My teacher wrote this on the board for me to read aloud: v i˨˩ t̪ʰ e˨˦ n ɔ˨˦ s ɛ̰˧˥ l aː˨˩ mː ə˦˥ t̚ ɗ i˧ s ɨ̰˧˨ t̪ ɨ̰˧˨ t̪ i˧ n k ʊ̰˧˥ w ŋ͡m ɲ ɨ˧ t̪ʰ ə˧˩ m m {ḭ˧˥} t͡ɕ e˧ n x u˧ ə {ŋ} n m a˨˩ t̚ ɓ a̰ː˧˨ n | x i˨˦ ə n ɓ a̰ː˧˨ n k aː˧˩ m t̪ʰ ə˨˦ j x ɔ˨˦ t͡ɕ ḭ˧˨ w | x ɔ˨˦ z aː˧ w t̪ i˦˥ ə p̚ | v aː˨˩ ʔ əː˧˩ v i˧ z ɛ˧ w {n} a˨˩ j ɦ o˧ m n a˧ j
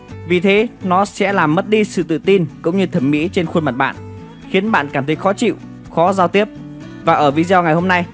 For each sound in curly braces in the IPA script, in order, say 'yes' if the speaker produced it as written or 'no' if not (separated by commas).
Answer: yes, no, no